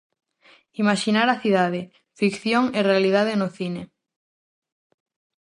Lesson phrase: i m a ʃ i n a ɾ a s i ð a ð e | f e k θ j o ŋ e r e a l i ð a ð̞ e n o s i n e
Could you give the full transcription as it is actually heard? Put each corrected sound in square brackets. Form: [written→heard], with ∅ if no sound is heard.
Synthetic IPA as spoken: i m a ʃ i n a ɾ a [s→θ] i ð a ð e | f [e→i] k θ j o ŋ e r e a l i ð a ð̞ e n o [s→θ] i n e